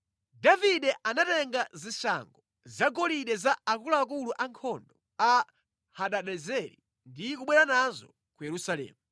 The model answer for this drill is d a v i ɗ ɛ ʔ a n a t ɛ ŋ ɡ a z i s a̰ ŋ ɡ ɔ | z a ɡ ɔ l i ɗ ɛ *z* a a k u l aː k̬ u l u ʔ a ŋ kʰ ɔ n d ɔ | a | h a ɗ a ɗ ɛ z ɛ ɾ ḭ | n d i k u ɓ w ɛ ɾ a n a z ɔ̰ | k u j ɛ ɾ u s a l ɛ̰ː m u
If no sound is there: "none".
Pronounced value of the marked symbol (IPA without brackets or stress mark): z